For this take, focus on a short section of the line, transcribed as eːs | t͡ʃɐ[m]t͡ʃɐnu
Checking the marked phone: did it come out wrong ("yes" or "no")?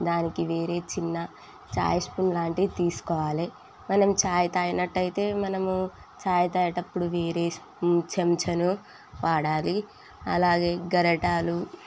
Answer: no